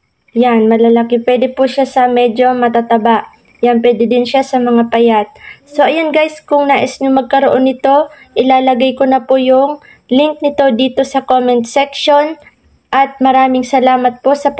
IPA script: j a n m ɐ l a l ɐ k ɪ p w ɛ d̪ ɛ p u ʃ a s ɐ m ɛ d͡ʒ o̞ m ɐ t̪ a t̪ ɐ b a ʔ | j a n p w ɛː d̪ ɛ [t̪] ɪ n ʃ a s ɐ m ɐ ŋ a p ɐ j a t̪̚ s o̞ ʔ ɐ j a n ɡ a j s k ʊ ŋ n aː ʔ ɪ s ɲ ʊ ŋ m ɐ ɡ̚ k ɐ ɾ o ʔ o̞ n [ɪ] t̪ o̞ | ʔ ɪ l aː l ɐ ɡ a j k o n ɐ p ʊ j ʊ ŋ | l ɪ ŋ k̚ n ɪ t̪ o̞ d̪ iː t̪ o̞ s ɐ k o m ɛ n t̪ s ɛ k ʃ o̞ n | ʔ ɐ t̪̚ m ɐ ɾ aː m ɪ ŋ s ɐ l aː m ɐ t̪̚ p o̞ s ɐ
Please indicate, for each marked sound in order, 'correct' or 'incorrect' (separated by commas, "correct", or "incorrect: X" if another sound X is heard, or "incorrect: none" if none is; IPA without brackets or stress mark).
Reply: incorrect: d̪, correct